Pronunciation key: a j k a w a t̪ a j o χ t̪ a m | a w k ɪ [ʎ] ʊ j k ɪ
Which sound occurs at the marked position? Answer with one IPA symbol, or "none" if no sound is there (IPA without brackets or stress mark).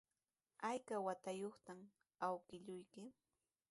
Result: ʎ